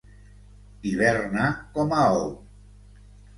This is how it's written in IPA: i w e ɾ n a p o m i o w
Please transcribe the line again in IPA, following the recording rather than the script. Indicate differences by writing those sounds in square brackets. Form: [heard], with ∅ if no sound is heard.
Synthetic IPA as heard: i [β] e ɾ n a [k] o m [a] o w